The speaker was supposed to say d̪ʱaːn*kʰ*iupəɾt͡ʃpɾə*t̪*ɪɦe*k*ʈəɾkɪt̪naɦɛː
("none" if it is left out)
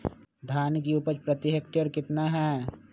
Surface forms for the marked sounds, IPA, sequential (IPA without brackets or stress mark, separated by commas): k, t̪, k